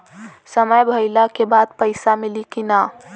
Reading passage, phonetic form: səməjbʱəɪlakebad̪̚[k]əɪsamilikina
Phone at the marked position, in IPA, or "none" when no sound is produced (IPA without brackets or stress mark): p